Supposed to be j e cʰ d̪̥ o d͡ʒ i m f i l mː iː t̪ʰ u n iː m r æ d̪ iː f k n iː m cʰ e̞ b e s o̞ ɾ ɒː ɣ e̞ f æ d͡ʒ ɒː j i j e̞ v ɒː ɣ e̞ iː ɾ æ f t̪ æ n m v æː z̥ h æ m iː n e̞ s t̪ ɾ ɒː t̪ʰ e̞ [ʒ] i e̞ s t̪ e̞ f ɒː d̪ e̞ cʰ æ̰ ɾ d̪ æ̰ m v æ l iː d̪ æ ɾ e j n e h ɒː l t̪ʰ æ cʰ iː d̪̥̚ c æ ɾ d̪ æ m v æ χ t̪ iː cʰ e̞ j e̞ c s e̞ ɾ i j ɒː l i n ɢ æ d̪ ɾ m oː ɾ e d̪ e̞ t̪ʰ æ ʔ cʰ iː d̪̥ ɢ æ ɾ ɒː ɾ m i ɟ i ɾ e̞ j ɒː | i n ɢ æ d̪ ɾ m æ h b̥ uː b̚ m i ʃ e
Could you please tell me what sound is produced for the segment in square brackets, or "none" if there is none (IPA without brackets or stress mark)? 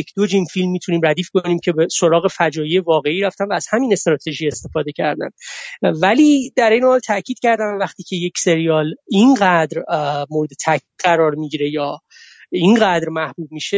ʒ